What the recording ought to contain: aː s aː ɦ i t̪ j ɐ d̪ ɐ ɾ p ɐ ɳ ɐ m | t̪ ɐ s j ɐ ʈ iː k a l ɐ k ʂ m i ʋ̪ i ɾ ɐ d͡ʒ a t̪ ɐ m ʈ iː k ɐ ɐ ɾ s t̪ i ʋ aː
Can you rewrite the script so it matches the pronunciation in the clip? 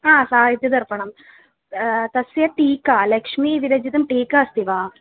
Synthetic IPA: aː s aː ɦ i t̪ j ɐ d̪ ɐ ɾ p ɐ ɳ ɐ m | t̪ ɐ s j ɐ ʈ iː k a l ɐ k ʂ m i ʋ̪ i ɾ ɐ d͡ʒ i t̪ ɐ m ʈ iː k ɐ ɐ s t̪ i ʋ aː